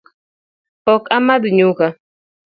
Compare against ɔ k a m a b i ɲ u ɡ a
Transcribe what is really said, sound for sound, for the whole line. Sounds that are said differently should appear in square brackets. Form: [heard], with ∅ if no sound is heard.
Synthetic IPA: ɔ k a m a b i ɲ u [k] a